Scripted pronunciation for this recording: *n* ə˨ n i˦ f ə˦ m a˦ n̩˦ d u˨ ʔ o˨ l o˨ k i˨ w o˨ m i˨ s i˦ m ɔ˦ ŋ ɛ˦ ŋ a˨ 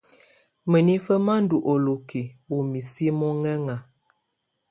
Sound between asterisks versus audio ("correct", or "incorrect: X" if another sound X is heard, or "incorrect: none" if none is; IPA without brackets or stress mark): incorrect: m